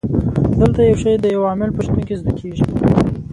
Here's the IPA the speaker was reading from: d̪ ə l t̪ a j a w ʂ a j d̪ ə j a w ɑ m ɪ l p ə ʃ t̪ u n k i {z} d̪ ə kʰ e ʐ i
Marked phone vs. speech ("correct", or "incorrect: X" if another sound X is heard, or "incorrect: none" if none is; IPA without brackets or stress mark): correct